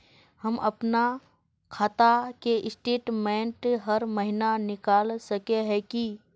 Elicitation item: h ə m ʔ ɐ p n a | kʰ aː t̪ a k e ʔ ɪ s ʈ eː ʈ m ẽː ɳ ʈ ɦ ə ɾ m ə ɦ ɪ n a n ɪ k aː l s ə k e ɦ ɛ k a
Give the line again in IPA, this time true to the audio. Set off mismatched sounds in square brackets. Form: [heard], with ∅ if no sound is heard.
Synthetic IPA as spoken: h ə m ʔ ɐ p n a | kʰ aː t̪ a k e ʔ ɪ s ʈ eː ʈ m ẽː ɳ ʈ ɦ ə ɾ m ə ɦ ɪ n a n ɪ k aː l s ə k e ɦ ɛ k [i]